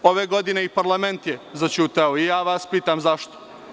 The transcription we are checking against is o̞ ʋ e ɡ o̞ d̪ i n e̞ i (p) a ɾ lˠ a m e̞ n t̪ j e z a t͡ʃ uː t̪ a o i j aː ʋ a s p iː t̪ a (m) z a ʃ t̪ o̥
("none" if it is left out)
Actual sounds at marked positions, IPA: p, m

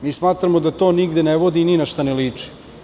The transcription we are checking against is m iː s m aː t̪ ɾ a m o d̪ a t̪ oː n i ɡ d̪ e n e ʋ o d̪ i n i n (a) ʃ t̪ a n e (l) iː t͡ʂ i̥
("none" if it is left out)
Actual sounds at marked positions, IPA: a, l

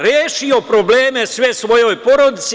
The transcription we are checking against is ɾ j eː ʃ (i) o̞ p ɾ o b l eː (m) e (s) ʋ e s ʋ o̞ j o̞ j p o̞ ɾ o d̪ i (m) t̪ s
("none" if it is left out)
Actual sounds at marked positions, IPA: i, m, s, none

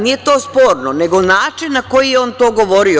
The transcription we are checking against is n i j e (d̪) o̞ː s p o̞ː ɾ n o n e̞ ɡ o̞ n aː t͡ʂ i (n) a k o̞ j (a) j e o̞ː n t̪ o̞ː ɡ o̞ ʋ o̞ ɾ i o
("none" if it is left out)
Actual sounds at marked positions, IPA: t̪, nː, i

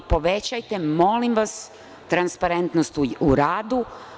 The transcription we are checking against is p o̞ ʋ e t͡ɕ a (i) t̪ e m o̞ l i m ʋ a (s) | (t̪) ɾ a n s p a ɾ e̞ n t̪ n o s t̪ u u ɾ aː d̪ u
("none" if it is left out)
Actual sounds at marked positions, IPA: j, s, t̪

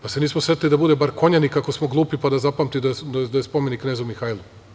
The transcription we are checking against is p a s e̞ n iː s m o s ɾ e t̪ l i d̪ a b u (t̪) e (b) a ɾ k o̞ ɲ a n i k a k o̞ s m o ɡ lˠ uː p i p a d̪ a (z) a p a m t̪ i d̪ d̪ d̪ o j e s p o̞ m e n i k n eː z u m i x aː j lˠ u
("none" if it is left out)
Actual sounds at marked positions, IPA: d̪, b, z

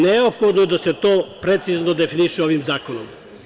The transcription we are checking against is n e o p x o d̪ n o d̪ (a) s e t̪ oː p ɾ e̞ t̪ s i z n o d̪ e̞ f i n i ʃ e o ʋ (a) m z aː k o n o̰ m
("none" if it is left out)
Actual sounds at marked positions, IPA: a, i

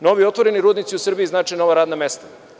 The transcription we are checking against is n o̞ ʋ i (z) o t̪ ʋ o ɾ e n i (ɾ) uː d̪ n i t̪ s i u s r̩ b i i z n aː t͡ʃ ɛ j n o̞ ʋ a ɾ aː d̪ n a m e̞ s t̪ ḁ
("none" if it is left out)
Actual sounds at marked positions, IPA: none, ɾ

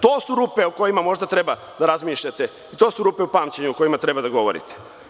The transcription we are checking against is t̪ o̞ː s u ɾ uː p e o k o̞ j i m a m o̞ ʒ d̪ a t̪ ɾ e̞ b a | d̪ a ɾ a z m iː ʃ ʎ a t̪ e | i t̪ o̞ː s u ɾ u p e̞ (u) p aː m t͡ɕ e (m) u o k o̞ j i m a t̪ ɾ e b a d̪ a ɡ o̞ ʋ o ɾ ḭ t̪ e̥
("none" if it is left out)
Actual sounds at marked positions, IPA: u, ɲ

